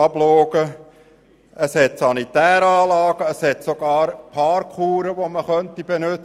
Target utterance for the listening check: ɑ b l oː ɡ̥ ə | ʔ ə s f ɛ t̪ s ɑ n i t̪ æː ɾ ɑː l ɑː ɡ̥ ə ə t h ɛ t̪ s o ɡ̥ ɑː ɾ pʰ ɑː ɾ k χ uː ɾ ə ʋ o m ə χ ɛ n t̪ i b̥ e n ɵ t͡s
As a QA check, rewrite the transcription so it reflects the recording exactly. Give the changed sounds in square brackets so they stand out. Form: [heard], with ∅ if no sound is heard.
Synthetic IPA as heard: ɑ b l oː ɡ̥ ə | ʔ ə s [h] ɛ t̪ s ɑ n i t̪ æː ɾ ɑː l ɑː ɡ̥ ə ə [s] h ɛ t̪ s o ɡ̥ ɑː ɾ pʰ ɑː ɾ k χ uː ɾ ə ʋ o m ə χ [œ] n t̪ i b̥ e n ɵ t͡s